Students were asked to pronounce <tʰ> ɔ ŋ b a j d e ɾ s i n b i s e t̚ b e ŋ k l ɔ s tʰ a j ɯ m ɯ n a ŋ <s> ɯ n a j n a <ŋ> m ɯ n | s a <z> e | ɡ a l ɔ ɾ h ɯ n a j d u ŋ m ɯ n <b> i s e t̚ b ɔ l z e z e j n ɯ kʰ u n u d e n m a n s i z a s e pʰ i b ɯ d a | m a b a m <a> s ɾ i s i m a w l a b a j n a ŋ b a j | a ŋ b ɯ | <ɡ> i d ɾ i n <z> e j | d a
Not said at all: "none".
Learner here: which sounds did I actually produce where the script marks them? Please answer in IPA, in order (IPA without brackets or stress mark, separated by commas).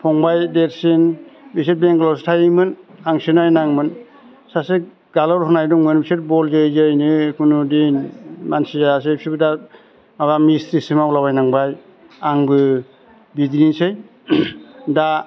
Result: pʰ, s, ŋ, s, b, i, b, s